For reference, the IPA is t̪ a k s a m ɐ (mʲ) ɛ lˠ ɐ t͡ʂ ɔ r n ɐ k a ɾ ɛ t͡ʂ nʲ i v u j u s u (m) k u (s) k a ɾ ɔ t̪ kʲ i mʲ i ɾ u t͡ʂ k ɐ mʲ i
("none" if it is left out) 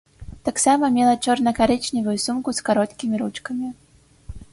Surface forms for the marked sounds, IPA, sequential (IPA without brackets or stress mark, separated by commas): mʲ, m, s